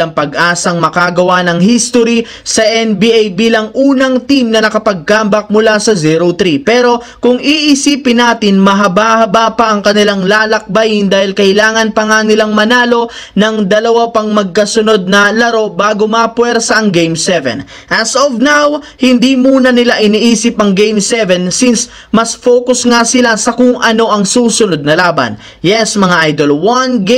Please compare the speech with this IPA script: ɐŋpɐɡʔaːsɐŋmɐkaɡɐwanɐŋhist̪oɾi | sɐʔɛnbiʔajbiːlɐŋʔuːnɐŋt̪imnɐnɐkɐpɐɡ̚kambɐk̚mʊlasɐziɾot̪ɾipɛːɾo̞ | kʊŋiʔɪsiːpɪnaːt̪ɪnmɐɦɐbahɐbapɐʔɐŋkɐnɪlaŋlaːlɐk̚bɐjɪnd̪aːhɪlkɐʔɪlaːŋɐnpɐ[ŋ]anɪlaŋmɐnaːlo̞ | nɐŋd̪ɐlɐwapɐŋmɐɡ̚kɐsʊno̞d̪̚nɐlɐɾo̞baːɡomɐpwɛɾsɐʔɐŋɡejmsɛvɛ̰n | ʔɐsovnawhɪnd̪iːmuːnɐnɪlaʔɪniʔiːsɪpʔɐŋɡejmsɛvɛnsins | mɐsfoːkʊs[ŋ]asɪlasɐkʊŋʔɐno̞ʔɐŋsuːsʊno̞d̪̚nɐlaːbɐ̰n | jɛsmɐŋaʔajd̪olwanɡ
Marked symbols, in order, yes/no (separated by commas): yes, yes